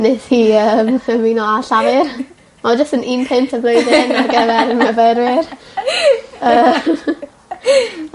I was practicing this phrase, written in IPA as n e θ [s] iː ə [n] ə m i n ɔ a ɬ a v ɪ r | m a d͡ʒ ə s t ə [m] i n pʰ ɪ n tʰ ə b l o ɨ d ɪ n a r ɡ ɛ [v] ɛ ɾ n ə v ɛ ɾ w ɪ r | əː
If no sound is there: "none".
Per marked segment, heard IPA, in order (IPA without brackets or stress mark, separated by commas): h, m, n, v